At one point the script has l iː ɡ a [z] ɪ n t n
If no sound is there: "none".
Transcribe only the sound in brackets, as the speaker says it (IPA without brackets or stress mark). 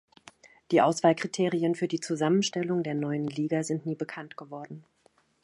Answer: z